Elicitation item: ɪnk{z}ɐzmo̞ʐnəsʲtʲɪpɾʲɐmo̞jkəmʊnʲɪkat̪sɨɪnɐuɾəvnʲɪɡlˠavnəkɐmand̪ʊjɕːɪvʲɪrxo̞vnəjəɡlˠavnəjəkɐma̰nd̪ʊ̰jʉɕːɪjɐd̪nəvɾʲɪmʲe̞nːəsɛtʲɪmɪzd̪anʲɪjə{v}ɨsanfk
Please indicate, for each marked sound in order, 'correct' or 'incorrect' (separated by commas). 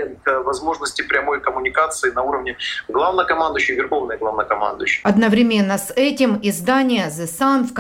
incorrect, incorrect